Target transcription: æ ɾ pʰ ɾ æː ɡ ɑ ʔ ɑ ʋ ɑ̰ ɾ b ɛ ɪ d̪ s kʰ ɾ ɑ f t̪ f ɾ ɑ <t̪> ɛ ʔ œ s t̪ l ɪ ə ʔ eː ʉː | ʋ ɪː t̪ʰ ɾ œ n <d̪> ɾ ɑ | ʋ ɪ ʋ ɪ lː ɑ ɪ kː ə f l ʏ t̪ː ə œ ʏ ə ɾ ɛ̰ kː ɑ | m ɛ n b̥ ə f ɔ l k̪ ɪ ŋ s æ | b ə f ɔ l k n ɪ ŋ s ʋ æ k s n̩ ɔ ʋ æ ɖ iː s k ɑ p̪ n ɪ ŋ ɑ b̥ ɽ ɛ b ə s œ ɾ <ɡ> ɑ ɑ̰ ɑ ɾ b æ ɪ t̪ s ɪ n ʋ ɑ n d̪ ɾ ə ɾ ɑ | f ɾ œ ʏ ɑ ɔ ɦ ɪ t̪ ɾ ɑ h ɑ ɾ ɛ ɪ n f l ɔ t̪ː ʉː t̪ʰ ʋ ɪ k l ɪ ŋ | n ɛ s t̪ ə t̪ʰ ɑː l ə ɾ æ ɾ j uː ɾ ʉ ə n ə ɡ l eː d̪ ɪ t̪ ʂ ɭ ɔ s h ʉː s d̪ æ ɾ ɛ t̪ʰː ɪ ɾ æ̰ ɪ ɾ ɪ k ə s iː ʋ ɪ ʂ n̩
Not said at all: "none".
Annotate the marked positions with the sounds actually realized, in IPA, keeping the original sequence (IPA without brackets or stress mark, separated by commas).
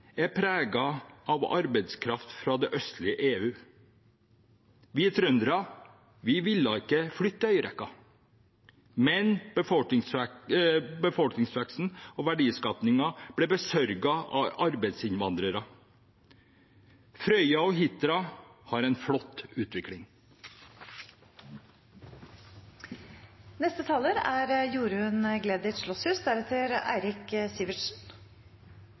d̪, d̪, ɡ